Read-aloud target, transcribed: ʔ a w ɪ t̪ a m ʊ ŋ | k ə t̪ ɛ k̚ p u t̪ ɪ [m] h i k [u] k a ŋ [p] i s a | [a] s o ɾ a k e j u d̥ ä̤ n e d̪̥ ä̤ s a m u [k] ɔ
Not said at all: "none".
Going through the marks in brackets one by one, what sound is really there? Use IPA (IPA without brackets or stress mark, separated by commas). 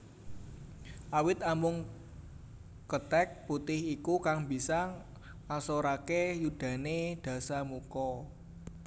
none, u, b, a, k